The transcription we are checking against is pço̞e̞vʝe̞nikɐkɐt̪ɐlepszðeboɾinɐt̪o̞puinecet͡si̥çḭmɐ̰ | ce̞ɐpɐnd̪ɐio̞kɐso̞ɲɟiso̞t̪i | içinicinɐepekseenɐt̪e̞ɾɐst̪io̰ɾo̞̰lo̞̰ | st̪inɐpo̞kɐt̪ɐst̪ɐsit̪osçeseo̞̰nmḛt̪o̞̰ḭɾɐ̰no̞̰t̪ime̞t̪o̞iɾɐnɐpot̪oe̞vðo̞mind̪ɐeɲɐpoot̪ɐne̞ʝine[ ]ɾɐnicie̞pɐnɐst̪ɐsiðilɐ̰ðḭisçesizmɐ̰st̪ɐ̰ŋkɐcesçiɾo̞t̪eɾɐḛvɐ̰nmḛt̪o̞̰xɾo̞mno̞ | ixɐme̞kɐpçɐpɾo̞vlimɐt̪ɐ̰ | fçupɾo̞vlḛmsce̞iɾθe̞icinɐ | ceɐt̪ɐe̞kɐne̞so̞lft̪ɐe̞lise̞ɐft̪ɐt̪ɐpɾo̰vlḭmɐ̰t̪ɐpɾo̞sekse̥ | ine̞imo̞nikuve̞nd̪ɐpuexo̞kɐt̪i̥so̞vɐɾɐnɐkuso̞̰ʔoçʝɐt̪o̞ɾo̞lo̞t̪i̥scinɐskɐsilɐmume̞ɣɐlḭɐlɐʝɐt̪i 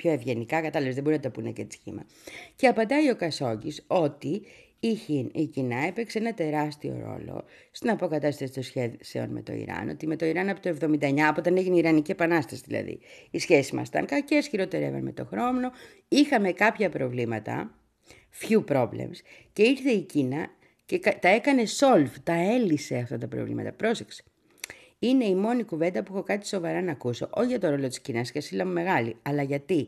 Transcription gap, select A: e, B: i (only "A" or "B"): B